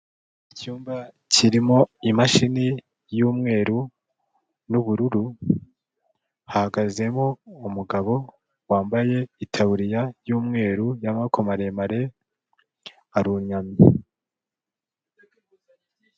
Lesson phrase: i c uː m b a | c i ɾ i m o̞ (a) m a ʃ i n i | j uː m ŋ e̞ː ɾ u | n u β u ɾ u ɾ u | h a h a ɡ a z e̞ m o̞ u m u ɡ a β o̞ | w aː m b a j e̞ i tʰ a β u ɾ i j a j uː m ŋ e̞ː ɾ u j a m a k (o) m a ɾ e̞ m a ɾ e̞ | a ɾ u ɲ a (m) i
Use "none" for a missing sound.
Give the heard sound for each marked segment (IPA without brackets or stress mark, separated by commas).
i, o, m